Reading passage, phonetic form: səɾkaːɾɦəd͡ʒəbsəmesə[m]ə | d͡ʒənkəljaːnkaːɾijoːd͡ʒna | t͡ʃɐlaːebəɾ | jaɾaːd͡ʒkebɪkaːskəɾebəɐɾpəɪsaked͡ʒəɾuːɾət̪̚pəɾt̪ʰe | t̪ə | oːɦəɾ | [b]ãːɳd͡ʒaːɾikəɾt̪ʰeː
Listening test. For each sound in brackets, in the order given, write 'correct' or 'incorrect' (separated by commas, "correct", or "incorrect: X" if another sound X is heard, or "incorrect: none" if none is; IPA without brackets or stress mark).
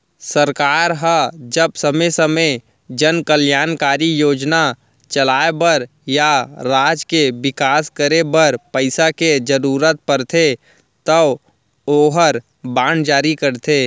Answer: correct, correct